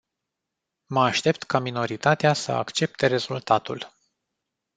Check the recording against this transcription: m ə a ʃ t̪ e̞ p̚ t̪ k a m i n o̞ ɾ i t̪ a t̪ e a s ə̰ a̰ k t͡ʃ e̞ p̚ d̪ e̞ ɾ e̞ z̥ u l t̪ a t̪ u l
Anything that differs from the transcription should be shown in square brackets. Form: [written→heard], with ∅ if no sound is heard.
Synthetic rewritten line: m ə a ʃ t̪ e̞ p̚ t̪ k a m i n o̞ ɾ i t̪ a t̪ e a s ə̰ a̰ k t͡ʃ e̞ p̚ [d̪→t̪] e̞ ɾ e̞ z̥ u l t̪ a t̪ u l